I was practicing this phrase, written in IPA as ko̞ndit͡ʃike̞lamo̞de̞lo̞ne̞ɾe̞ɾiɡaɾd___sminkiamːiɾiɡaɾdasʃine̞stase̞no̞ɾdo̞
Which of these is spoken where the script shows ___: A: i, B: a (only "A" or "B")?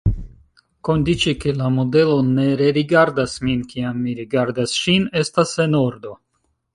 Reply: B